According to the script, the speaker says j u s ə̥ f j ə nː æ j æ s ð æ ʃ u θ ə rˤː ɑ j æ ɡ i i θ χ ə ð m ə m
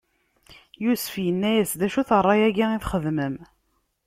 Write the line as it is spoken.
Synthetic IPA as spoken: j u s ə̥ f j ə nː æ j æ s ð æ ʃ u θ ə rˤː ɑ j æ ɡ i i θ χ ə ð m ə m

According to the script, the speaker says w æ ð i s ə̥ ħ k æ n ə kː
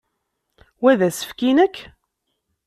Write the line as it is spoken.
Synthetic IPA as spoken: w æ ð æ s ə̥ f k i n ə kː

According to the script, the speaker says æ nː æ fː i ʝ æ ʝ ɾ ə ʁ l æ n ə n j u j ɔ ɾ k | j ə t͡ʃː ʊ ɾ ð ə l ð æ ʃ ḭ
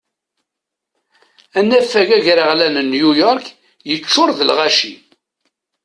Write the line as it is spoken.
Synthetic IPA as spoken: æ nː æ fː æ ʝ æ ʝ ɾ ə ʁ l æ n ə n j u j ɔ ɾ k | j ə t͡ʃː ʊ ɾ ð ə l ʁ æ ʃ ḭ

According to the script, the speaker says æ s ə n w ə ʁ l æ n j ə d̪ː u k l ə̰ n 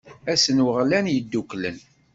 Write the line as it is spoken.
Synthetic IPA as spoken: æ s ə n w ə ʁ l æ n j ə d̪ː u k l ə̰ n

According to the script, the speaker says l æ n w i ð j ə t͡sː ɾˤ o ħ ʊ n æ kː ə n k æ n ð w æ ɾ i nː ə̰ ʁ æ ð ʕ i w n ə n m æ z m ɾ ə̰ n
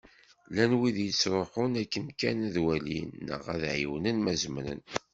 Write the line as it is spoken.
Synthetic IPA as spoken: l æ n w i ð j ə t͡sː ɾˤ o ħ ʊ n æ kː ə n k æ n ð w æ l i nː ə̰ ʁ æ ð ʕ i w n ə n m æ z m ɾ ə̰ n

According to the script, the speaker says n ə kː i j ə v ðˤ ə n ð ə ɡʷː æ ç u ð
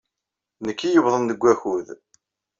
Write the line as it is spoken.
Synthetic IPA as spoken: n ə kː i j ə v ðˤ ə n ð ə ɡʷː æ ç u ð

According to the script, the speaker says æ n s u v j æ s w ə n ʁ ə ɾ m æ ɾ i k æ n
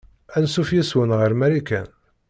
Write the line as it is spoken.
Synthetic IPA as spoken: æ n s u f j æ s w ə n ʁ ə ɾ m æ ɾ i k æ n

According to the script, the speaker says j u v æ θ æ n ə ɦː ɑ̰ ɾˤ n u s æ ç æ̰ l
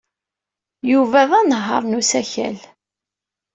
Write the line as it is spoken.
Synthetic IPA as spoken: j u v æ ð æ n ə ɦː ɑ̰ ɾˤ n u s æ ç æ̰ l

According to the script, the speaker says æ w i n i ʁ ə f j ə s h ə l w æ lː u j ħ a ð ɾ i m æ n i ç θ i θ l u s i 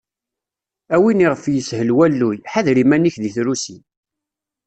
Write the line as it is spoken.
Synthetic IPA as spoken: æ w i n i ʁ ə f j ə s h ə l w æ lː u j ħ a ð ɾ i m æ n i ç ð i θ ɾ u s i

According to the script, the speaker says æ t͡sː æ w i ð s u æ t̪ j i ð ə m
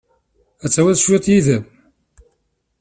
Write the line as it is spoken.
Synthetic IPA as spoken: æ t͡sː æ w æ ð ʃ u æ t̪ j i ð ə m

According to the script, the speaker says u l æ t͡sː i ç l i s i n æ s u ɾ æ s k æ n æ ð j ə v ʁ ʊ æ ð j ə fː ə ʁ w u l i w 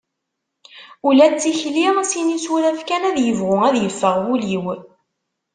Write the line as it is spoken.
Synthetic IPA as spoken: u l æ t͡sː i ç l i s i n i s u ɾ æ f k æ n æ ð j ə v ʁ ʊ æ ð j ə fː ə ʁ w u l i w

